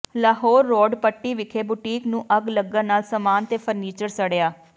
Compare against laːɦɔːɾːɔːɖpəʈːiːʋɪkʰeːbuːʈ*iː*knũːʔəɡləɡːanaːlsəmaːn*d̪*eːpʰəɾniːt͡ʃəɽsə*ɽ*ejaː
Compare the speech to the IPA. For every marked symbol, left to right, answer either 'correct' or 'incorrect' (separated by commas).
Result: correct, incorrect, correct